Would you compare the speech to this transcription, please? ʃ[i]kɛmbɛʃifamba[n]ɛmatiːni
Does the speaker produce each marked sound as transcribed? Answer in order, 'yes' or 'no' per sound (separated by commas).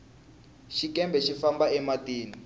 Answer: yes, no